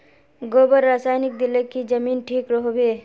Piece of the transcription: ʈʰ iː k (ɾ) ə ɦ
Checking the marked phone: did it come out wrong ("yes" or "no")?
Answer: no